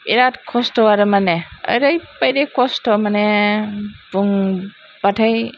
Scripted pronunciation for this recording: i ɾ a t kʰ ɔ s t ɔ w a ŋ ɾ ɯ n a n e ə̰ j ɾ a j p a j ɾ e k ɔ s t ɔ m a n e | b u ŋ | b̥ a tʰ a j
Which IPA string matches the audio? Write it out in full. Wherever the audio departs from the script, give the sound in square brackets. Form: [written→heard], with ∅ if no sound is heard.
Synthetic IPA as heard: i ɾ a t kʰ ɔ s t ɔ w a [ŋ→∅] ɾ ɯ [n→m] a n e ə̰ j ɾ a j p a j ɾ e k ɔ s t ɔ m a n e | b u ŋ | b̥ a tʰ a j